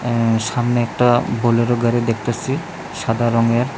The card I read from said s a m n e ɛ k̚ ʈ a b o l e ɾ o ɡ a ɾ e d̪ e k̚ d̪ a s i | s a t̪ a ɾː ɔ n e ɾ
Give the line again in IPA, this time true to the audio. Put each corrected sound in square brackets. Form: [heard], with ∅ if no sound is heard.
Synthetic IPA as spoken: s a m n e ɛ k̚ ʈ a b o l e ɾ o ɡ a ɾ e d̪ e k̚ [t̪] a s i | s a [d̪] a [ɾ] ɔ [ŋ] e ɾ